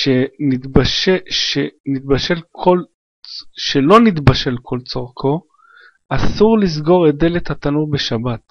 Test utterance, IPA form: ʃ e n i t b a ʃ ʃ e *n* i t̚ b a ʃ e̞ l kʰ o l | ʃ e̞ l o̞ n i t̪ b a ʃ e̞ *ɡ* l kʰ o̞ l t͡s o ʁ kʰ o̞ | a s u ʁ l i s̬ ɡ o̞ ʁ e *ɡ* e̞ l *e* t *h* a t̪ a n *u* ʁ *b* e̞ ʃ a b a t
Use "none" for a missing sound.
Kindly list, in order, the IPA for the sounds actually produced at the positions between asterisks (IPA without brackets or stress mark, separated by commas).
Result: n, none, d, e, h, u, b